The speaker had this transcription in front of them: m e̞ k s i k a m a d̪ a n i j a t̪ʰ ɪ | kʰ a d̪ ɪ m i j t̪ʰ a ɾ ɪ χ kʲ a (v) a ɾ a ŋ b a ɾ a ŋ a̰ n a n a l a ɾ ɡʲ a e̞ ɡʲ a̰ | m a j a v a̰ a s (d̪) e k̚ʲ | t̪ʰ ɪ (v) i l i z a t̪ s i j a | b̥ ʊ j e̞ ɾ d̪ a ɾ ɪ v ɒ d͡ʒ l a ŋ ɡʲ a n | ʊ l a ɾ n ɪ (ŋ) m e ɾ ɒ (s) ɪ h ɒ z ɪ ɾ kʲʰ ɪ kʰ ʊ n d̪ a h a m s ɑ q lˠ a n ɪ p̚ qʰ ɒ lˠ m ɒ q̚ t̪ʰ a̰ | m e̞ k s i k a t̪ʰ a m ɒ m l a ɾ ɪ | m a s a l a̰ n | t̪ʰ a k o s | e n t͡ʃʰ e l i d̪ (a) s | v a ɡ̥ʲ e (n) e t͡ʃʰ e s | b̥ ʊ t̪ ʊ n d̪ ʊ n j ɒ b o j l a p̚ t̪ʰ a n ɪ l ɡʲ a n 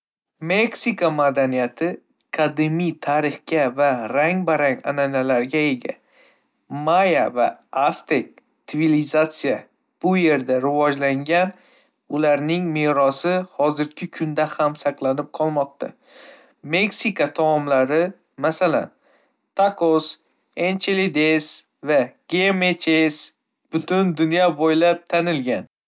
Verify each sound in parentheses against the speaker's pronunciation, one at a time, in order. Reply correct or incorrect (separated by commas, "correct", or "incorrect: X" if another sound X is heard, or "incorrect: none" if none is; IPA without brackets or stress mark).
correct, incorrect: t̪, correct, correct, correct, incorrect: e, incorrect: m